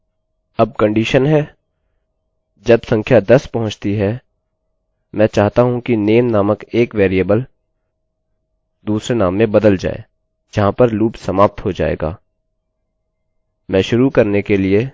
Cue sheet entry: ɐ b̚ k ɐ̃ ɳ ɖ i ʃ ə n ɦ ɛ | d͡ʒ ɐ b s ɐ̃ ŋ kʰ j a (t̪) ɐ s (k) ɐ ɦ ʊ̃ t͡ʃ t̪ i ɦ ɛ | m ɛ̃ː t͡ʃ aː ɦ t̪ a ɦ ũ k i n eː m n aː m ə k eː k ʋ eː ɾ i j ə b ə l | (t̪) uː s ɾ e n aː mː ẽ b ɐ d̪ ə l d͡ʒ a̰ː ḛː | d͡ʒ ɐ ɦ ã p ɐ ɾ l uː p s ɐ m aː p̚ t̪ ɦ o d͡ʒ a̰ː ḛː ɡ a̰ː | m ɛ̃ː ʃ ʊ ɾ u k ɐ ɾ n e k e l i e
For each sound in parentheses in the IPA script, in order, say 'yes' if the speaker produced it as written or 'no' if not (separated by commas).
no, no, no